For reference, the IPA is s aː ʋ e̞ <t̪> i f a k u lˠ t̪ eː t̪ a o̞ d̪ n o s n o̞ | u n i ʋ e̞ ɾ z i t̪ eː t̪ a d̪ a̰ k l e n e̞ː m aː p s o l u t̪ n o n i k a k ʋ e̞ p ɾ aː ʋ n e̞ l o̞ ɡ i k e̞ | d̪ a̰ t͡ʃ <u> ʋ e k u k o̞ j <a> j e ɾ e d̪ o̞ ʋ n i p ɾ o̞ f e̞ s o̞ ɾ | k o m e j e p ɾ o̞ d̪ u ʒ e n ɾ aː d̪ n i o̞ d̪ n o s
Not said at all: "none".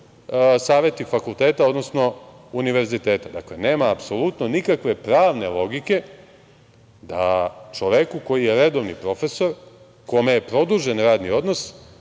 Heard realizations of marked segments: t̪, o, i

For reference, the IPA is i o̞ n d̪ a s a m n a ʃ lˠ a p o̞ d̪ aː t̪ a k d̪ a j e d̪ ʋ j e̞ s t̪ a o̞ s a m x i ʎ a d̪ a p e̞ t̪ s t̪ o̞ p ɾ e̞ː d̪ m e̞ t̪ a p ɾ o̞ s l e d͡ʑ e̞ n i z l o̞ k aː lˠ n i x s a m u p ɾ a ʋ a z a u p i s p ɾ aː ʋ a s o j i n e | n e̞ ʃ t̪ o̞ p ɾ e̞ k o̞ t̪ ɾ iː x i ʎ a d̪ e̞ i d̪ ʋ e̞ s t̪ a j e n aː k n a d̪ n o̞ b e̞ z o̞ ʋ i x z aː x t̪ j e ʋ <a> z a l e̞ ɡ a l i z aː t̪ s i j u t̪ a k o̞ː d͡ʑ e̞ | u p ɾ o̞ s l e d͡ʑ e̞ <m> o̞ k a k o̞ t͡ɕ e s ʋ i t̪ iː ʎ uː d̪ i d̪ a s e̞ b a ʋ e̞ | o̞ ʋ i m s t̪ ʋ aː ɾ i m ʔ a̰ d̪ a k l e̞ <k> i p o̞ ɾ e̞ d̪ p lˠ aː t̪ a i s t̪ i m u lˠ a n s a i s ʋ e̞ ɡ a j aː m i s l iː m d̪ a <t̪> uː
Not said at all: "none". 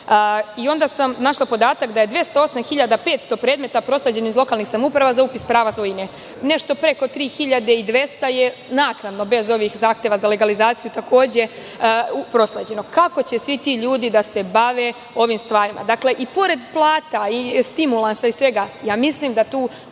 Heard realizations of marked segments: a, n, ʔ, t̪

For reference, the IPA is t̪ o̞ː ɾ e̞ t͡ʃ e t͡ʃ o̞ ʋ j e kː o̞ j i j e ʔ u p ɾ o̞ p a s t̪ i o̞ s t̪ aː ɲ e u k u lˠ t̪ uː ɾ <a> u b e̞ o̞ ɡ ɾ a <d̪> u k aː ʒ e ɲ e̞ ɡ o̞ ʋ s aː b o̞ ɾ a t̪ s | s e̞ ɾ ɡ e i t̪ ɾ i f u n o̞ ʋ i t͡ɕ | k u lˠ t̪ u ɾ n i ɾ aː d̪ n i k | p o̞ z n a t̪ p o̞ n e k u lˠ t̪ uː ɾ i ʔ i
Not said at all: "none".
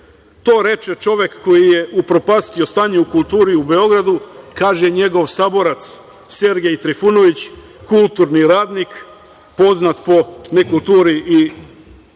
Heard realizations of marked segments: i, d̪

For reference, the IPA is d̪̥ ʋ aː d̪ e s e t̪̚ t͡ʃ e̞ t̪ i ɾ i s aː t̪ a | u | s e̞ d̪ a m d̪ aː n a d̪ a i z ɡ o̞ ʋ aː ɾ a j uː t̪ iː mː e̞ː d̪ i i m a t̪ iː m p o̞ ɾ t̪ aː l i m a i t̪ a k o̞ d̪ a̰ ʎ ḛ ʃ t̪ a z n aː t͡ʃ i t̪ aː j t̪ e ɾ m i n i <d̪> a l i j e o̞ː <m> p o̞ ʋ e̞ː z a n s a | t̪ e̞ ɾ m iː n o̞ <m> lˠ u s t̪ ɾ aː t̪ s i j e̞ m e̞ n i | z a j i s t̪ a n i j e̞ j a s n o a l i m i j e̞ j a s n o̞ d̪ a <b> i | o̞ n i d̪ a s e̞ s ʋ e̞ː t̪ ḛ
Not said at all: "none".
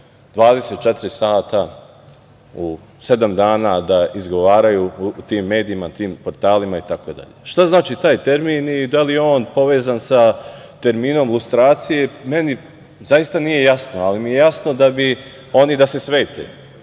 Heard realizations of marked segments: d̪, n, m, b

